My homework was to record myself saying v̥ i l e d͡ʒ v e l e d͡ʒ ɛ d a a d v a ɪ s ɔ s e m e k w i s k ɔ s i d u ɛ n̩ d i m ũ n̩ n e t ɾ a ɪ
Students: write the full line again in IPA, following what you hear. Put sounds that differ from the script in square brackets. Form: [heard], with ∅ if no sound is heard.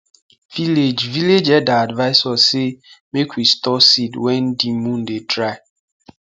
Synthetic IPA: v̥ i l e d͡ʒ v [i] l e d͡ʒ ɛ d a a d v a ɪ s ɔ s e m e k w i s [t] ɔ s i d [w] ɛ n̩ d i m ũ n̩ [d] e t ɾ a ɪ